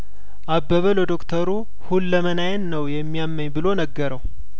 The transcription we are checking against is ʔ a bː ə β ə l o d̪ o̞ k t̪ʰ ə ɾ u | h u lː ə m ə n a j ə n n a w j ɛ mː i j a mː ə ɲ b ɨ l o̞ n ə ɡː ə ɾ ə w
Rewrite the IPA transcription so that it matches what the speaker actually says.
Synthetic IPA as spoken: ʔ a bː ə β ə l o d̪ o̞ k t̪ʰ ə ɾ u | h u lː ə m ə n a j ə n n ə w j ɛ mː i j a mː ə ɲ b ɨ l o̞ n ə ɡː ə ɾ ə w